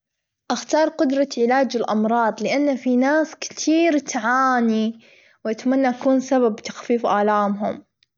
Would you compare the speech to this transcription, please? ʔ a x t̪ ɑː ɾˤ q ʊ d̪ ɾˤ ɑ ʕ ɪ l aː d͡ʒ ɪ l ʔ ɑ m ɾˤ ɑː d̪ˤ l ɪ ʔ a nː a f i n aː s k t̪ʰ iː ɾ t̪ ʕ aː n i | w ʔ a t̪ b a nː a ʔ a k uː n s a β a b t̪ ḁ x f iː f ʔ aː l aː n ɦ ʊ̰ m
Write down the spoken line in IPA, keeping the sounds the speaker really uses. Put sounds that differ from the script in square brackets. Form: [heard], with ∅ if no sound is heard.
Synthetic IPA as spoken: ʔ a x t̪ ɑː ɾˤ q ʊ d̪ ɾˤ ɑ ʕ ɪ l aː d͡ʒ ɪ l ʔ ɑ m ɾˤ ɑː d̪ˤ l ɪ ʔ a nː a f i n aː s k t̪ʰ iː ɾ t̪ ʕ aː n i | w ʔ a t̪ [m] a nː a ʔ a k uː n s a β a b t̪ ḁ x f iː f ʔ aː l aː [m] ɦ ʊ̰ m